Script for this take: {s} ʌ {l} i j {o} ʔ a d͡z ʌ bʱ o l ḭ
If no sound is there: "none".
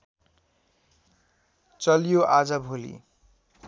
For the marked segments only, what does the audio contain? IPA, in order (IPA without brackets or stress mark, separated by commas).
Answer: t͡s, l, o